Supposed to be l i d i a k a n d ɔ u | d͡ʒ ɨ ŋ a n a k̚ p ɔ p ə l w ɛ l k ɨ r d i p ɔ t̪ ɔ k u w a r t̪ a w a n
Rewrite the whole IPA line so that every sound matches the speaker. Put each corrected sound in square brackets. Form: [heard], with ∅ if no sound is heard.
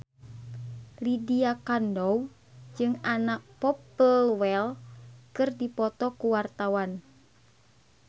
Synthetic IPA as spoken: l i d i a k a n d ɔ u | d͡ʒ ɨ ŋ a n a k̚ p ɔ p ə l w ɛ l k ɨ r d i p ɔ t̪ ɔ k u w a r t̪ a w a n